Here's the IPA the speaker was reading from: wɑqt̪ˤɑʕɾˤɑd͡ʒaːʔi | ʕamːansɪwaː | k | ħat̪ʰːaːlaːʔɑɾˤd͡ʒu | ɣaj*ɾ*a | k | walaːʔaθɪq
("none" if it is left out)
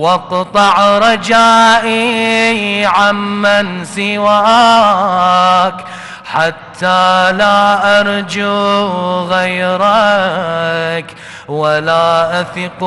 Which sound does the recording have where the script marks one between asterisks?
ɾ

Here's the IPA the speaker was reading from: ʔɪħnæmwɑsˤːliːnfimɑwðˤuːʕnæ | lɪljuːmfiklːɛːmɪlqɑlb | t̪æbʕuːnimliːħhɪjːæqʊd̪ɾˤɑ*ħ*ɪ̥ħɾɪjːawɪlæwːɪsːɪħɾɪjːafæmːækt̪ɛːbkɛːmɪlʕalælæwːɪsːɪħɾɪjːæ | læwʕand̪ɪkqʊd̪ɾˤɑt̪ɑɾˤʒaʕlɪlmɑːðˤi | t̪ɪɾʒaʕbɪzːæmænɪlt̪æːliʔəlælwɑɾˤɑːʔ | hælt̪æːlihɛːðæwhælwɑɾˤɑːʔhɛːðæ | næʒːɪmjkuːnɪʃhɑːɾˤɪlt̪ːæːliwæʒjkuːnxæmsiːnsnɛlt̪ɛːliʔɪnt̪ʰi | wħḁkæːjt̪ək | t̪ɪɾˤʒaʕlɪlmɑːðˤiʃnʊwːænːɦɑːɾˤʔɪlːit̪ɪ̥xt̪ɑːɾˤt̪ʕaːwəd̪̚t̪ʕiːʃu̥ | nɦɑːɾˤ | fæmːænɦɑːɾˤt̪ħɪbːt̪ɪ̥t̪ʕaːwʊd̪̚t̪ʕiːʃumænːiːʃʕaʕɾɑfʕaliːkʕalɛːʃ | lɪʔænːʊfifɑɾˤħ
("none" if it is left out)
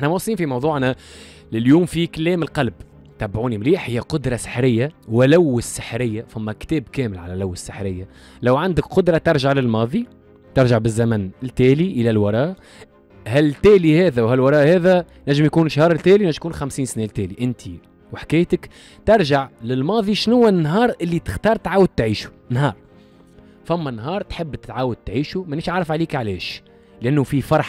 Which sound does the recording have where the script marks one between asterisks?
s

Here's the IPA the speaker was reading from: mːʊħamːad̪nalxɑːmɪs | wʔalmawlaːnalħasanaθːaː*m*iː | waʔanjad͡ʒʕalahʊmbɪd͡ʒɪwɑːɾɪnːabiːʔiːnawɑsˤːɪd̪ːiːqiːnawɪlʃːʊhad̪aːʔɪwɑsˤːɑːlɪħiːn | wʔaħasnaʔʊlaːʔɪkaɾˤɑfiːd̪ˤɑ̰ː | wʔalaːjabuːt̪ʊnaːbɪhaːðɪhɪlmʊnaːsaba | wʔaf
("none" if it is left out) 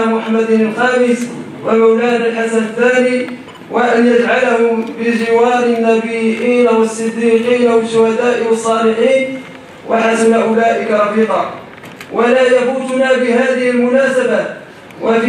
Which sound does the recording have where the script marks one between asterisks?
n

